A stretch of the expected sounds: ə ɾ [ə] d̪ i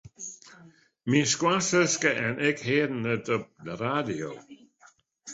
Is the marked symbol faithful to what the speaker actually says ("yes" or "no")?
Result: no